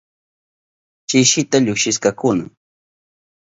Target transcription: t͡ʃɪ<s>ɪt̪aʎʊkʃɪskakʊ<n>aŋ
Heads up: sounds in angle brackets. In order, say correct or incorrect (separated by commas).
incorrect, correct